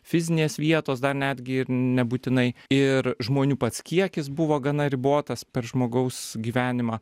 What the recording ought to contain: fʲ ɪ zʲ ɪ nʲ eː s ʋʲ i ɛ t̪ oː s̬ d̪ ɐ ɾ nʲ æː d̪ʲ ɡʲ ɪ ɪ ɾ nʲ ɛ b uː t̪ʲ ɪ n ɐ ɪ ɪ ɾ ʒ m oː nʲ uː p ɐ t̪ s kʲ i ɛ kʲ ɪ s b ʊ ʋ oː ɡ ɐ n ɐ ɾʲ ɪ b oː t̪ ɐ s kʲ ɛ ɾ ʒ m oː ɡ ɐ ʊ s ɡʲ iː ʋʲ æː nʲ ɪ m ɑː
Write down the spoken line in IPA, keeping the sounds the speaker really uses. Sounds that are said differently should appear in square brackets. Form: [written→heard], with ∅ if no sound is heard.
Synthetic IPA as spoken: fʲ ɪ zʲ ɪ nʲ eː s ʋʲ i ɛ t̪ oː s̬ d̪ ɐ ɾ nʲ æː d̪ʲ ɡʲ ɪ ɪ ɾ nʲ ɛ b uː t̪ʲ ɪ n ɐ ɪ ɪ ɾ ʒ m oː nʲ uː p ɐ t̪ s kʲ i ɛ kʲ ɪ s b ʊ ʋ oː ɡ ɐ n ɐ ɾʲ ɪ b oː t̪ ɐ s [kʲ→pʲ] ɛ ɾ ʒ m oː ɡ ɐ ʊ s ɡʲ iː ʋʲ æː nʲ ɪ m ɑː

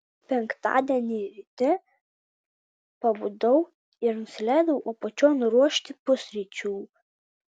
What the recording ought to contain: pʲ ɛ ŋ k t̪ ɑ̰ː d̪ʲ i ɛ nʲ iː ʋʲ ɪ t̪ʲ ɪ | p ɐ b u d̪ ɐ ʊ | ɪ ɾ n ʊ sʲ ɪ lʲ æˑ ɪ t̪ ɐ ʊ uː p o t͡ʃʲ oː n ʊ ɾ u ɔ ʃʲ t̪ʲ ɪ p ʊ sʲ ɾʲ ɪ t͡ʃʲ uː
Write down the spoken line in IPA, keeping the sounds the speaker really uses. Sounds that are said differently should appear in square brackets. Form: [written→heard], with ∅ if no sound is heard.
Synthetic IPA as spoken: pʲ ɛ ŋ k t̪ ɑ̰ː d̪ʲ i ɛ nʲ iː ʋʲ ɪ t̪ʲ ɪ | p ɐ b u d̪ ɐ ʊ | ɪ ɾ n ʊ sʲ ɪ lʲ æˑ ɪ [t̪→d̪] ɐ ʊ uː p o t͡ʃʲ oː n ʊ ɾ u ɔ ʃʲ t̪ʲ ɪ p ʊ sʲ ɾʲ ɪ t͡ʃʲ uː

